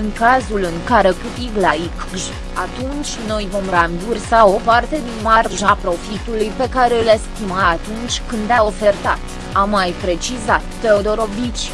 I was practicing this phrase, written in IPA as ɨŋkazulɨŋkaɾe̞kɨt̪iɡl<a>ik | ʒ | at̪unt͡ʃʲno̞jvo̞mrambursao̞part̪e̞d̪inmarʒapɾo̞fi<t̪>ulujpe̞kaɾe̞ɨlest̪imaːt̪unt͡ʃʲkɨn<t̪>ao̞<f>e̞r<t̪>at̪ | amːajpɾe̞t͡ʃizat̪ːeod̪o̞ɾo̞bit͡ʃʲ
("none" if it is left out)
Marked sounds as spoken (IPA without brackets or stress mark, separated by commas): a, t̪, d̪, f, t̪